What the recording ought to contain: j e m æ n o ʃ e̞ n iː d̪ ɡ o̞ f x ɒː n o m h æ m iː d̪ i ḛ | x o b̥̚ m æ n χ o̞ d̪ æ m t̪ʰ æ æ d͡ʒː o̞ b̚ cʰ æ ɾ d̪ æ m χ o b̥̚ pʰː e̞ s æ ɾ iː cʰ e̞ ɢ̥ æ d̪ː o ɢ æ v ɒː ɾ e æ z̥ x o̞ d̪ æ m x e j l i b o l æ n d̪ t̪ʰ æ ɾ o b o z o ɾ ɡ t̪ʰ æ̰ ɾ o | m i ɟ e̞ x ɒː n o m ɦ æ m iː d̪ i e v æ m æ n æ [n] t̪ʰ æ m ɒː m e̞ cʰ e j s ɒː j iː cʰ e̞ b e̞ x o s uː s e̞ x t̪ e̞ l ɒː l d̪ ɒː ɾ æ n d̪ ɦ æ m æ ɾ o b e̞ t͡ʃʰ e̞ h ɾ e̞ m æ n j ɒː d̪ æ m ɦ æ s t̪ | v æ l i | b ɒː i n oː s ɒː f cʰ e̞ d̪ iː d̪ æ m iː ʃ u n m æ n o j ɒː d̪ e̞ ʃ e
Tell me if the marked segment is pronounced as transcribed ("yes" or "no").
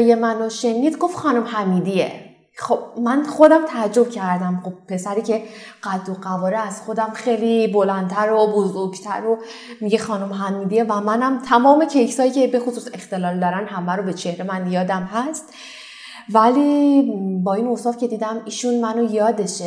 no